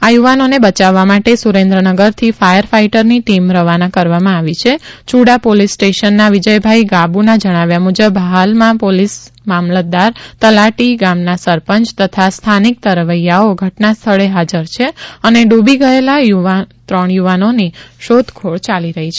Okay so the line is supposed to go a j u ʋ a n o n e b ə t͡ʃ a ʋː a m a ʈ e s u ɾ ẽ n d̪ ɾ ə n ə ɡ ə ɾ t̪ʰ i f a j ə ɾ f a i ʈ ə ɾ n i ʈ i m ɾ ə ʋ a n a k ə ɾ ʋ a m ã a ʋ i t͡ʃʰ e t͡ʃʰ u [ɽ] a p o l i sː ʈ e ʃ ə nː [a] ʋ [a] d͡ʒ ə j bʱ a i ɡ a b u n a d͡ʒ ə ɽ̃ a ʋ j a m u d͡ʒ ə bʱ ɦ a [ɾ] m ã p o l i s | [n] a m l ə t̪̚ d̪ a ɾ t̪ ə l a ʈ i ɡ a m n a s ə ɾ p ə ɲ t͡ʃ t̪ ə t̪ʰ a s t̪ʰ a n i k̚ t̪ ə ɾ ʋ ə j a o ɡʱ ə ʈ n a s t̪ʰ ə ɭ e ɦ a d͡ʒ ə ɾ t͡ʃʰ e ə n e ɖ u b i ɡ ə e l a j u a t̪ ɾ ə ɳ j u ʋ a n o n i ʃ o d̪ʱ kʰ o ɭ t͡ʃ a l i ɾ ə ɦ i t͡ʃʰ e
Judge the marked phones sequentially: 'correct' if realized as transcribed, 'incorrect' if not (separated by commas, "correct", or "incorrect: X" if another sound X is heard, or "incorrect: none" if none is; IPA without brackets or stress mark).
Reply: correct, correct, incorrect: i, incorrect: l, incorrect: m